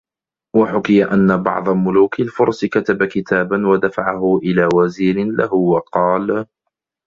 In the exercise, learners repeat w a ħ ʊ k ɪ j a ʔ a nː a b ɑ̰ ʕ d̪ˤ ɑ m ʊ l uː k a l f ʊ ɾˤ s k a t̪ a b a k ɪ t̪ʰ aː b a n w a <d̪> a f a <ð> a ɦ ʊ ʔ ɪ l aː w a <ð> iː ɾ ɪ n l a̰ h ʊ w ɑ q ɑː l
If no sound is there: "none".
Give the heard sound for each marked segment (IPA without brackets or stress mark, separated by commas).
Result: d̪, ʕ, z